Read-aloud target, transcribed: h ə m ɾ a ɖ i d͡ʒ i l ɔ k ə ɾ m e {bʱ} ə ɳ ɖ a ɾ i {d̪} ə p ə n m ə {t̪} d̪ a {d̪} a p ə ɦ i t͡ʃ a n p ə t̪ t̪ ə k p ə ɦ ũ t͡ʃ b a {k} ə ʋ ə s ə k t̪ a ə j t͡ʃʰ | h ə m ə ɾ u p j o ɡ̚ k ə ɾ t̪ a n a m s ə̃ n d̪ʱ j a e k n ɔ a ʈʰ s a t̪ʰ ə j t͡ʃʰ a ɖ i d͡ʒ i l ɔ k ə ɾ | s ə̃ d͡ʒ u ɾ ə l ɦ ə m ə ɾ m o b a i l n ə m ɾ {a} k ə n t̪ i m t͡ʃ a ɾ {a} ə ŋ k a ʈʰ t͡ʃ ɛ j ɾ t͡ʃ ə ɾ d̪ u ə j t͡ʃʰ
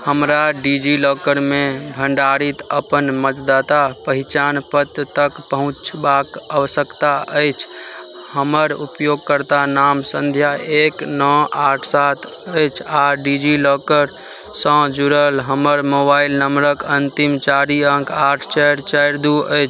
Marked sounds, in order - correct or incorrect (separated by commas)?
correct, incorrect, correct, incorrect, correct, incorrect, incorrect